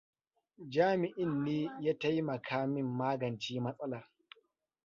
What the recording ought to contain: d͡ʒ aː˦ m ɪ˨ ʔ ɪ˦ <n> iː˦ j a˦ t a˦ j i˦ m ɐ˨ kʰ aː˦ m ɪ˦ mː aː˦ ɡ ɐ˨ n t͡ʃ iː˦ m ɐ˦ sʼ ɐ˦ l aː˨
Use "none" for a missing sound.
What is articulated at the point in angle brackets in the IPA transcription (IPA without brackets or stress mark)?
nː